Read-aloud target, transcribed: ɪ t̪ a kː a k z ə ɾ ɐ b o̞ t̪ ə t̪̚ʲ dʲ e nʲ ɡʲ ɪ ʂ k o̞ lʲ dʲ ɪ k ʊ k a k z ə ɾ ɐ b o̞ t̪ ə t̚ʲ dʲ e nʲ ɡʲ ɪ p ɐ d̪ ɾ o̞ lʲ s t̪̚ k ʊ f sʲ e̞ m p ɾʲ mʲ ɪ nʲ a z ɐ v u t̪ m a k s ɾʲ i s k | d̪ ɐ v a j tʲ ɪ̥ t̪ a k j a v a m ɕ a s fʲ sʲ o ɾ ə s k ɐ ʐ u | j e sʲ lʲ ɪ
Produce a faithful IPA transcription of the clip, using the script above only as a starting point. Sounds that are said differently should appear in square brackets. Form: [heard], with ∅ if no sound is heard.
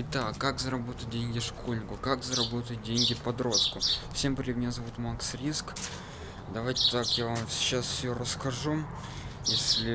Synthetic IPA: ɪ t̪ a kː a k z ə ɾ ɐ b o̞ t̪ ə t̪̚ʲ dʲ e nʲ ɡʲ ɪ ʂ k o̞ lʲ [nʲ] ɪ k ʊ k a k z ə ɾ ɐ b o̞ t̪ ə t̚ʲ dʲ e nʲ ɡʲ ɪ p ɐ d̪ ɾ o̞ [∅] s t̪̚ k ʊ f sʲ e̞ m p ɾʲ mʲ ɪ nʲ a z ɐ v u t̪ m a k s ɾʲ i s k | d̪ ɐ v a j tʲ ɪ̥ t̪ a k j a v a m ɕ a s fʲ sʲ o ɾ ə s k ɐ ʐ u | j e sʲ lʲ ɪ

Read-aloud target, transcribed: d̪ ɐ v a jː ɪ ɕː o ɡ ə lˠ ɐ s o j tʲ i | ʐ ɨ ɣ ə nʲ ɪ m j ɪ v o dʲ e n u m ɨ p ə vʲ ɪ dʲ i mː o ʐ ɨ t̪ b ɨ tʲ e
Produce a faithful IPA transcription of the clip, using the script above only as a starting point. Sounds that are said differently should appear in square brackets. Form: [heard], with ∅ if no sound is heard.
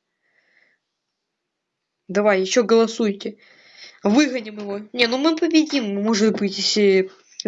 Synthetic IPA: d̪ ɐ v a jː ɪ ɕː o ɡ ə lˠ ɐ s [u] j tʲ [ɪ] | [v] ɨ ɣ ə nʲ ɪ m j ɪ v o [nʲ] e n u m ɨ p ə [bʲ] ɪ dʲ i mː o ʐ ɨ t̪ b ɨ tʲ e

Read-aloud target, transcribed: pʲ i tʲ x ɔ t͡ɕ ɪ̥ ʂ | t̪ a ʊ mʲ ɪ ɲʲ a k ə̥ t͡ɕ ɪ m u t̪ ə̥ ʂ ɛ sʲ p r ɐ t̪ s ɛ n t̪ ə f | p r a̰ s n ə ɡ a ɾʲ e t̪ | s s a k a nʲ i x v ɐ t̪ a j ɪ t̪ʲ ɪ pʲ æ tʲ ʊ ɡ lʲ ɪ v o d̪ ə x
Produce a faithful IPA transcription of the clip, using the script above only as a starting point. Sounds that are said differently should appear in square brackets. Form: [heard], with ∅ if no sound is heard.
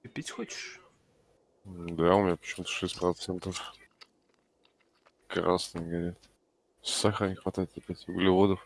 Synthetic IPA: pʲ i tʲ x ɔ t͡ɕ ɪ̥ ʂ | [d̪] a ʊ mʲ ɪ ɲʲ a [p] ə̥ t͡ɕ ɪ m u t̪ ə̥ ʂ ɛ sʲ p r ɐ t̪ s ɛ n t̪ ə f | [k] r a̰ s n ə ɡ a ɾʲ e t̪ | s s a [x] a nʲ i x v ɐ t̪ a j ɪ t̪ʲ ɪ pʲ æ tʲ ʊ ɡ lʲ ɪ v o d̪ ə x

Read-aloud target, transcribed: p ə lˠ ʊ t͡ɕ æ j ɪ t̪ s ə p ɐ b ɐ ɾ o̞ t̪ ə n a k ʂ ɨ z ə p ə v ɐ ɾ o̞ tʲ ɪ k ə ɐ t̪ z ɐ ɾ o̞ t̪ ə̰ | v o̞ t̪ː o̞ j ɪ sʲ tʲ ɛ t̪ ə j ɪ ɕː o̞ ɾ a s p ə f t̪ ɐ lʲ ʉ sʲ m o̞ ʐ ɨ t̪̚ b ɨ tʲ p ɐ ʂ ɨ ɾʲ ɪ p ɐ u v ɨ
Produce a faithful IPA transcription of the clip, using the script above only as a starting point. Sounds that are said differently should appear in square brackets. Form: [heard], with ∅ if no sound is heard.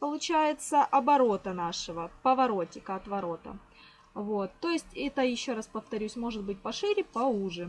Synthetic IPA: p ə lˠ ʊ t͡ɕ æ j ɪ t̪ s ə [ʔ] ɐ b ɐ ɾ o̞ t̪ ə n a [∅] ʂ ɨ [v] ə p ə v ɐ ɾ o̞ tʲ ɪ k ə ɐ t̪ [v] ɐ ɾ o̞ t̪ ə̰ | v o̞ t̪ː o̞ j ɪ sʲ tʲ ɛ t̪ ə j ɪ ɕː o̞ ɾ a s p ə f t̪ ɐ [ɾʲ] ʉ sʲ m o̞ ʐ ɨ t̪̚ b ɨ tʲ p ɐ ʂ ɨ ɾʲ ɪ p ɐ u [ʐ] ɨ

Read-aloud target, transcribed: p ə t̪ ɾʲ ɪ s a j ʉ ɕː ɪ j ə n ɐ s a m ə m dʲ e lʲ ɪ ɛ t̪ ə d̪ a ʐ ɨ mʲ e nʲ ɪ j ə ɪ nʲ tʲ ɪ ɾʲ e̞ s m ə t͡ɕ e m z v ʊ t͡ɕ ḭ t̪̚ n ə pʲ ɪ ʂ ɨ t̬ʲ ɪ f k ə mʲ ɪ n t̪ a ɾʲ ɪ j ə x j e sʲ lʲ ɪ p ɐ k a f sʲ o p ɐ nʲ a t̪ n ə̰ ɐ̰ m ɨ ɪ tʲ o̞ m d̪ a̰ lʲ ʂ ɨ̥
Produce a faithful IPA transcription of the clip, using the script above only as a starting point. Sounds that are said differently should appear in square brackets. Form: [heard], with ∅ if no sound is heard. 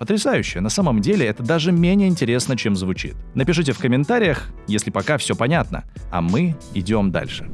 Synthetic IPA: p ə t̪ ɾʲ ɪ s a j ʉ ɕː ɪ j ə n ɐ s a m ə m dʲ e lʲ ɪ ɛ t̪ ə d̪ a ʐ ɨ mʲ e nʲ ɪ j ə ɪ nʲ tʲ ɪ ɾʲ e̞ s [n] ə t͡ɕ e m z v ʊ t͡ɕ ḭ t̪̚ n ə pʲ ɪ ʂ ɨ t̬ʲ ɪ f k ə mʲ ɪ n t̪ a ɾʲ ɪ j ə x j e sʲ lʲ ɪ p ɐ k a f sʲ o p ɐ nʲ a t̪ n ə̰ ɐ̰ m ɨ ɪ [dʲ] o̞ m d̪ a̰ lʲ ʂ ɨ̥

